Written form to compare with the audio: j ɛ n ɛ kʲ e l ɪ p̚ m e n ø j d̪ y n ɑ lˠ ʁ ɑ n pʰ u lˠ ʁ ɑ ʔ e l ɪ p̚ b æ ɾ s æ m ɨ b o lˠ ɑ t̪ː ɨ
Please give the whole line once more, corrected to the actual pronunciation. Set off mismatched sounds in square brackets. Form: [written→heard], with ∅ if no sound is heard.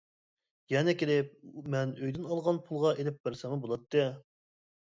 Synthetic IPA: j ɛ n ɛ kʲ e l ɪ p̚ m [e→ɛ] n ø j d̪ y n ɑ lˠ ʁ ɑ n pʰ u lˠ ʁ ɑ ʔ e l ɪ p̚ b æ ɾ s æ m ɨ b o lˠ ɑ t̪ː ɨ